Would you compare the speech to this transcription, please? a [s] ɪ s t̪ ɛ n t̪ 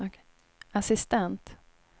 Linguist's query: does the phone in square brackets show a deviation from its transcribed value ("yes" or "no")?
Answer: no